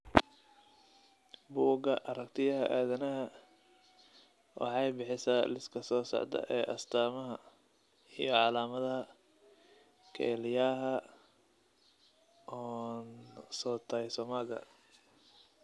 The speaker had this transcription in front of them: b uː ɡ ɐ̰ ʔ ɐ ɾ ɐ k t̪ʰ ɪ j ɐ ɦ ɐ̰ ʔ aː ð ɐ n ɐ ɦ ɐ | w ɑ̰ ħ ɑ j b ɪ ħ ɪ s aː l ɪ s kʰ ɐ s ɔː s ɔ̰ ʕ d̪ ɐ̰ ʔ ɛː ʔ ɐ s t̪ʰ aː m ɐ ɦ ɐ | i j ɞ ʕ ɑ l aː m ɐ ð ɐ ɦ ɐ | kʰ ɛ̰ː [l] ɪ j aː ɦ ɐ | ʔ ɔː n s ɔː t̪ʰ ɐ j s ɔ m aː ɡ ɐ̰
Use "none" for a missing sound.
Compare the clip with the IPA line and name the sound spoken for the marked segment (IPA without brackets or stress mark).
l